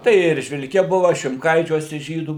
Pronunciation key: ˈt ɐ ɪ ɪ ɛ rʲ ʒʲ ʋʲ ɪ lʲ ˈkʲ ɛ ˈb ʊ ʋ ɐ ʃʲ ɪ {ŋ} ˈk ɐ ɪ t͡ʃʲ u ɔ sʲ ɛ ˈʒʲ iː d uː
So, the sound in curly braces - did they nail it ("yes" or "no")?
no